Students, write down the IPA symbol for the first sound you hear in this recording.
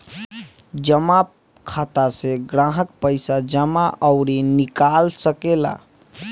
d͡ʒ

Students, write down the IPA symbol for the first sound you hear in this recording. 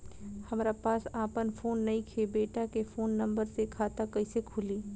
h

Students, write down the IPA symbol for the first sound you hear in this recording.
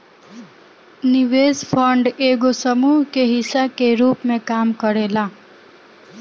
n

